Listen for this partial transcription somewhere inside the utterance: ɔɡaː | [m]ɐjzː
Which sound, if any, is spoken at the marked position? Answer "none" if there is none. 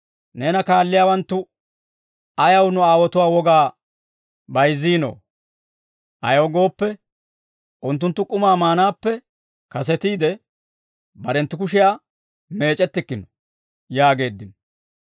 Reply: b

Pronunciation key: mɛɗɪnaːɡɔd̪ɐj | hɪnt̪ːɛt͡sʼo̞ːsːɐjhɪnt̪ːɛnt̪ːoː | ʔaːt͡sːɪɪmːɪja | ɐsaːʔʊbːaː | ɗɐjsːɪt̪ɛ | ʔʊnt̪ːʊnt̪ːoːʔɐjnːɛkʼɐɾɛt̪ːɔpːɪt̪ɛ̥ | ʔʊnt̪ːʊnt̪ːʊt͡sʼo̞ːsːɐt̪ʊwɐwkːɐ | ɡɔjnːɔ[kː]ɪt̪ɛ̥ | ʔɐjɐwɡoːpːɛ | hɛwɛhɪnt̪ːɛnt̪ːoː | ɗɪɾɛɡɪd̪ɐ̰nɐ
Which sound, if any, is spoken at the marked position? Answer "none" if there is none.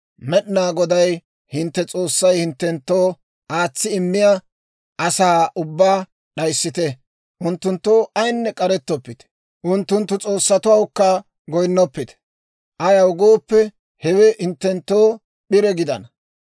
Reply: pː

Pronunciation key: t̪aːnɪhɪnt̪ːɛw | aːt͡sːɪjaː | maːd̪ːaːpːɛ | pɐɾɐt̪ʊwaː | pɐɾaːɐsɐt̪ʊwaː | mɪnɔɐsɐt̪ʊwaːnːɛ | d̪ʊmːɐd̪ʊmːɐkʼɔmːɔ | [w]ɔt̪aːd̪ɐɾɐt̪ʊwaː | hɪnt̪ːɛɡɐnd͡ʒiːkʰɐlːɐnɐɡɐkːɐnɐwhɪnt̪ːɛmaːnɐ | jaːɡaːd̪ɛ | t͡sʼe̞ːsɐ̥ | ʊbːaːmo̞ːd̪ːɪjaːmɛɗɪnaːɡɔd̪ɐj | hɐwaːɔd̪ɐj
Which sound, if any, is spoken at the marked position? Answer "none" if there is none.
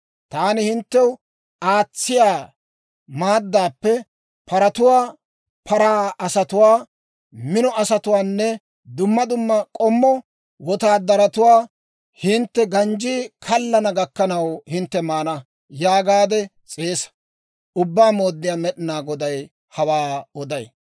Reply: w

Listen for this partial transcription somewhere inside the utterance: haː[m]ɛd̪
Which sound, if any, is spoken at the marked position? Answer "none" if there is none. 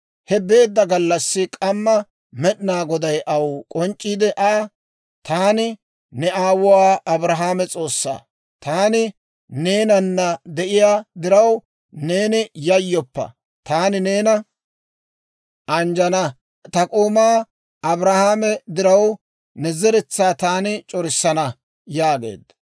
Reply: m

